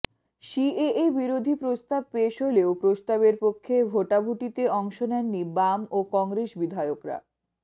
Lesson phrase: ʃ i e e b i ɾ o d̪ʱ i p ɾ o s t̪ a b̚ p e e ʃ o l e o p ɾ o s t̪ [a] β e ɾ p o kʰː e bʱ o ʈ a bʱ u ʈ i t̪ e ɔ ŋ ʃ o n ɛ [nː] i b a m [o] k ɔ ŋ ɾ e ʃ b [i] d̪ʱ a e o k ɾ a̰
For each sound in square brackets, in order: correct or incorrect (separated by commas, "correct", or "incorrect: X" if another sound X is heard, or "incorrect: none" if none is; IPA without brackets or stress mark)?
correct, correct, correct, correct